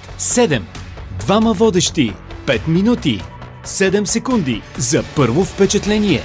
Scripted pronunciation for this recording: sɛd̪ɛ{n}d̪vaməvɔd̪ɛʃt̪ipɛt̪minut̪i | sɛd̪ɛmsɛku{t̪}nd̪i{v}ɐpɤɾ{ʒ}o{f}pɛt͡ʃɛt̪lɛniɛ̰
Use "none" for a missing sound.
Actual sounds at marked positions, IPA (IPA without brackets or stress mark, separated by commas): m, none, z, v, f